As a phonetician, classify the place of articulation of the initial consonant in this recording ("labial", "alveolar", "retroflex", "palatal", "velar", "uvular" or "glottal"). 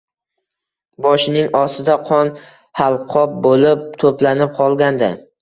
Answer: labial